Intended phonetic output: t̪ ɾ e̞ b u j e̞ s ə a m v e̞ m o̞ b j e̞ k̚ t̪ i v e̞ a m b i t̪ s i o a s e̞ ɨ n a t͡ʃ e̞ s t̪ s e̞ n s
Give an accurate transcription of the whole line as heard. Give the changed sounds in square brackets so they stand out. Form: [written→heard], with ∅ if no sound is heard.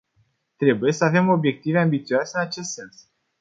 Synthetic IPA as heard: t̪ ɾ e̞ b u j e̞ s ə a [m→∅] v e̞ m o̞ b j e̞ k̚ t̪ i v e̞ a m b i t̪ s i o a s e̞ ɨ n a t͡ʃ e̞ s t̪ s e̞ n s